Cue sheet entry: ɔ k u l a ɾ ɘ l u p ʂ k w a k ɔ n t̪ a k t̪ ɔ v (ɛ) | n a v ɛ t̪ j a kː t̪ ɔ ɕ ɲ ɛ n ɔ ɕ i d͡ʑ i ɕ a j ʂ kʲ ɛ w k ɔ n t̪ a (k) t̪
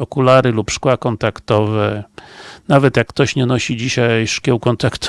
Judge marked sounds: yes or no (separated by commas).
yes, yes